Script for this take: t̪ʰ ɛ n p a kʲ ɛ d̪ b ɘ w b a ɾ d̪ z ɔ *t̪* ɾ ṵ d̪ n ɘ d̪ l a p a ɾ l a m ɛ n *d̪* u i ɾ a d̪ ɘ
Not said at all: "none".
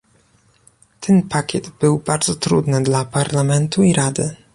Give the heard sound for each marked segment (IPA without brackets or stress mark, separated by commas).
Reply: t̪, t̪